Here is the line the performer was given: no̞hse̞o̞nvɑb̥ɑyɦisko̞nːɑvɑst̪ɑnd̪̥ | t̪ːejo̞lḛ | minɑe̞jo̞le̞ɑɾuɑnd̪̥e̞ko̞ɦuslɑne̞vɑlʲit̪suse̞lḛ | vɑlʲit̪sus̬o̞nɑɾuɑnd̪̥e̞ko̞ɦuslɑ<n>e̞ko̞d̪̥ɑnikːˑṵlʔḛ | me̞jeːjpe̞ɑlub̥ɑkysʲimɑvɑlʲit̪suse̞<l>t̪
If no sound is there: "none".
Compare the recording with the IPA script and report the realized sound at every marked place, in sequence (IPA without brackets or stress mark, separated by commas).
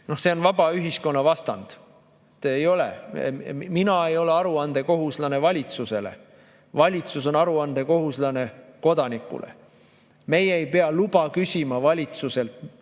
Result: n, l